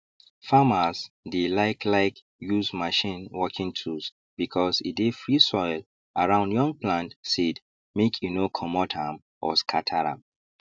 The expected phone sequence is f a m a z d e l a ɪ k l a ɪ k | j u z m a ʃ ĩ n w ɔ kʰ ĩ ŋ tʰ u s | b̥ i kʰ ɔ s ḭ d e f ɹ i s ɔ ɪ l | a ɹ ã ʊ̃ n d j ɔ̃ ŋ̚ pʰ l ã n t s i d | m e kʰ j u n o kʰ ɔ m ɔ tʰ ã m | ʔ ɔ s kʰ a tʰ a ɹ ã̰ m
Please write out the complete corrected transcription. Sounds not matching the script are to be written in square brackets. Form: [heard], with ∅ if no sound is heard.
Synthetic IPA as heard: f a m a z d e l a ɪ k l a ɪ k | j u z m a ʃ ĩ n w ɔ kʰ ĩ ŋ tʰ u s | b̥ i kʰ ɔ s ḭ d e f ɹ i s ɔ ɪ l | a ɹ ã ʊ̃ n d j ɔ̃ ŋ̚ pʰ l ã n t s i d | m e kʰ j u n o kʰ ɔ m ɔ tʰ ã m | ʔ ɔ s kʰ a tʰ a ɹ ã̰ m